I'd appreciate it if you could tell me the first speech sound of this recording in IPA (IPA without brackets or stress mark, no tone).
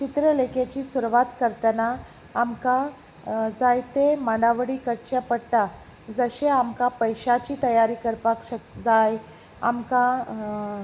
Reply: t͡ɕ